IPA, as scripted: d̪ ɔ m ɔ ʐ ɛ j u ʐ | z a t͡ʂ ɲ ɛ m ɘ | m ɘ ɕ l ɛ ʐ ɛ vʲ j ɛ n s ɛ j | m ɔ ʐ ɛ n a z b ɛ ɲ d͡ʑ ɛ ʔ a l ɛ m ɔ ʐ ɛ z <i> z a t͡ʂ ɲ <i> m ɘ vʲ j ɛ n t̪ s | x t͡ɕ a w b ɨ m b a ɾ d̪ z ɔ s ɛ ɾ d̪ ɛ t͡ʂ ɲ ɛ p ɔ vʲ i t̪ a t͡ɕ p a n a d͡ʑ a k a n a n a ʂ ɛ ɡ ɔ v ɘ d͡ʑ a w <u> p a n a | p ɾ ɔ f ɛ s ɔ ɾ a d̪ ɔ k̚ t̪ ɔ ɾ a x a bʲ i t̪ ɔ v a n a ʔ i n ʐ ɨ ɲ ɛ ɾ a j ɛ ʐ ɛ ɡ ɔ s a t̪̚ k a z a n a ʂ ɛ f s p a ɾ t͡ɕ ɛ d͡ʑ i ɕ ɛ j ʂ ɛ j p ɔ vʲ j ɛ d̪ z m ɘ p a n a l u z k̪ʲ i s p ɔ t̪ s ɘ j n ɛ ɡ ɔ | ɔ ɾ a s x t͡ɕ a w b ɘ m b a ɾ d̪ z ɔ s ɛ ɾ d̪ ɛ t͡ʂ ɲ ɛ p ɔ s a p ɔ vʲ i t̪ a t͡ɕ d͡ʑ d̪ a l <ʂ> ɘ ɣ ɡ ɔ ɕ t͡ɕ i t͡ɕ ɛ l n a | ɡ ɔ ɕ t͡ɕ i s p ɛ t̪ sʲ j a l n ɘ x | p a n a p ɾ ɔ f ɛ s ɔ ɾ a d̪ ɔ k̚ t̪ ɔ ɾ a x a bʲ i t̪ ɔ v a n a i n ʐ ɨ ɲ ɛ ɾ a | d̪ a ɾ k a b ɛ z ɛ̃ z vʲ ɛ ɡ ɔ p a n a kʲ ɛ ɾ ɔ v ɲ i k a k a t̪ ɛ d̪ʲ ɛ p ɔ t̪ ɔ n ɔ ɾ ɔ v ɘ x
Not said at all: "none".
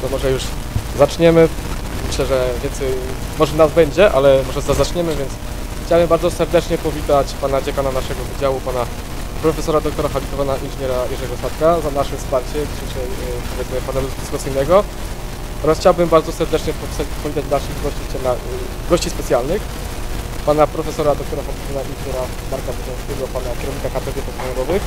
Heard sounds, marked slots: a, ɛ, u, ʂ

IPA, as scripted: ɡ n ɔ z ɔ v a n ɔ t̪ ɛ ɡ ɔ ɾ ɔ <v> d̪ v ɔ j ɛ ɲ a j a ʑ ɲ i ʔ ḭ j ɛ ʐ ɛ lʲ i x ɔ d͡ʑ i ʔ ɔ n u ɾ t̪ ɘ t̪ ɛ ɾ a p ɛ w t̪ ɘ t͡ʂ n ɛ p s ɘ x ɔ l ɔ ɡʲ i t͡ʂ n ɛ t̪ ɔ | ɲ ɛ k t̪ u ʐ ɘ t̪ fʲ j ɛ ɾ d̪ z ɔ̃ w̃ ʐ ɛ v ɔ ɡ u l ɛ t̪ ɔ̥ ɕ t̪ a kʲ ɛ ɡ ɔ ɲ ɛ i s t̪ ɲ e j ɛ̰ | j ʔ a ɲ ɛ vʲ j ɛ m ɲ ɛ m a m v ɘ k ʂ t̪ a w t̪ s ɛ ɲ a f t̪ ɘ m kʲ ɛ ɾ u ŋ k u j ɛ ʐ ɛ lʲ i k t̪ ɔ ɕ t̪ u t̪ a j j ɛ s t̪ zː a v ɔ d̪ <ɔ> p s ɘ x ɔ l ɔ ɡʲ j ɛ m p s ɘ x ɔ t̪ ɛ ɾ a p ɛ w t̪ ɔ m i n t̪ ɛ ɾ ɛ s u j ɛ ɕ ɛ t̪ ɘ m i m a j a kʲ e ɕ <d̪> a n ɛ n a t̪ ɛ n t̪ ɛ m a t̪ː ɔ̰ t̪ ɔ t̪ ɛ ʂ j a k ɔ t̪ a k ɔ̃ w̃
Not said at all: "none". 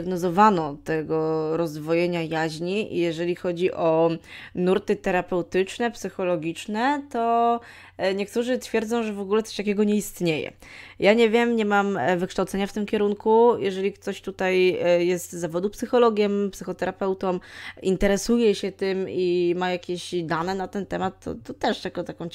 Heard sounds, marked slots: z, u, d̪

